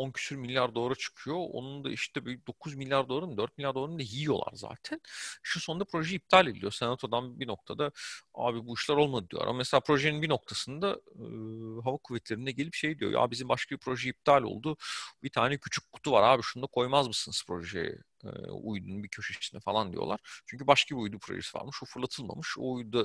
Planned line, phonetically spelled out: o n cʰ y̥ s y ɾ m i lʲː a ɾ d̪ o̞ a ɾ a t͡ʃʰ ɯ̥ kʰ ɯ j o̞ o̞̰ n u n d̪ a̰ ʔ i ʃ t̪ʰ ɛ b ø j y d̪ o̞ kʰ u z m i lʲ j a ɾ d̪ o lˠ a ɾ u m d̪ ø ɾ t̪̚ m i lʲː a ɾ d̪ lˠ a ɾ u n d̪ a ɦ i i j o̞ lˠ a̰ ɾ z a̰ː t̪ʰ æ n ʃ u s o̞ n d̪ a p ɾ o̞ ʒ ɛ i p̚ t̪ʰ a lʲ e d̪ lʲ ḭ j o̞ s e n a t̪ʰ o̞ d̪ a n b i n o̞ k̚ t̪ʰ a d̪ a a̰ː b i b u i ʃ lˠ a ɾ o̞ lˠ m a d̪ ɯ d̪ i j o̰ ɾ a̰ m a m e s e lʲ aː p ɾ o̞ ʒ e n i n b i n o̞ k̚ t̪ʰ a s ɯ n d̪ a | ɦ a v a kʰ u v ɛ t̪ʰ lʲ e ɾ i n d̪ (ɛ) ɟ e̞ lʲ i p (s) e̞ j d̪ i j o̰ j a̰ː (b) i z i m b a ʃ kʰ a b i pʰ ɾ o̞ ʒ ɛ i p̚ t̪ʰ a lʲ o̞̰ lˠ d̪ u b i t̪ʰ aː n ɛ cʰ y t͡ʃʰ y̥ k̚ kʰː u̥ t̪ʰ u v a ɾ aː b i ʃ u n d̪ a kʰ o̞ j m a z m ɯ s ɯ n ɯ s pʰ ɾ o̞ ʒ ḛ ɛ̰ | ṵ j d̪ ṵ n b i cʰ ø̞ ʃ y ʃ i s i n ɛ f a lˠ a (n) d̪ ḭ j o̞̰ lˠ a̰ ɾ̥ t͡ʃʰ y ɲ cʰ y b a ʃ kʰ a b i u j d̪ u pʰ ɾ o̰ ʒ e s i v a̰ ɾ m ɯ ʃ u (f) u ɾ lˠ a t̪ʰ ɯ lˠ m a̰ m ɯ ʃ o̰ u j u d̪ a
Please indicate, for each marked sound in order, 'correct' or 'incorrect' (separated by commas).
correct, incorrect, correct, correct, correct